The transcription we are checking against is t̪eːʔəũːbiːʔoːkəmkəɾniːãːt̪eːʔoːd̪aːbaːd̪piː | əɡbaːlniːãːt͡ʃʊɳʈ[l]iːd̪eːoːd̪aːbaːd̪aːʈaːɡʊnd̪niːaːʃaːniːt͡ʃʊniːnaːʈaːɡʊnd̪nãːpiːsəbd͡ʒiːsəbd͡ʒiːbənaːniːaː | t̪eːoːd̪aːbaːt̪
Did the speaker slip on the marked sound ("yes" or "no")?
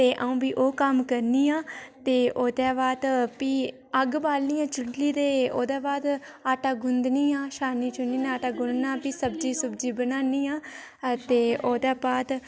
no